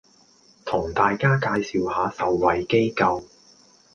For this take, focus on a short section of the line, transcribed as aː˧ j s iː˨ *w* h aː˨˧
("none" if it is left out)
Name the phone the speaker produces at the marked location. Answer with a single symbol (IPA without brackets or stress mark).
w